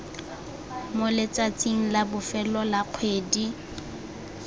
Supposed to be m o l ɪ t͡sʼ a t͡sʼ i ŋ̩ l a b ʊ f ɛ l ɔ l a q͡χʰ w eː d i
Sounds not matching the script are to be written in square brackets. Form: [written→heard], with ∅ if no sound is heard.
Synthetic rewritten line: m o l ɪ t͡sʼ a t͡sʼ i ŋ̩ l a b ʊ f ɛ l ɔ l a q͡χʰ w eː d i